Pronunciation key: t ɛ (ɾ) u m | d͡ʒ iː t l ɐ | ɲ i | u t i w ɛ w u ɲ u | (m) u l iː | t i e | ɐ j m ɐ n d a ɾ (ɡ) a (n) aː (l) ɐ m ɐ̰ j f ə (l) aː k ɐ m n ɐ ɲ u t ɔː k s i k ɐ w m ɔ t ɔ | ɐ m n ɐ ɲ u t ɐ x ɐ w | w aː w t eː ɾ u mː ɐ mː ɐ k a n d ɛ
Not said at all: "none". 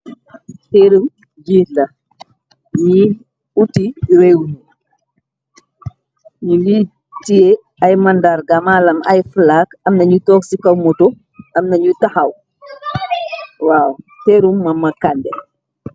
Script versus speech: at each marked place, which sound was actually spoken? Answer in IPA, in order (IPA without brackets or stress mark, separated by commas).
ɾ, ɲ, ɡ, m, l, l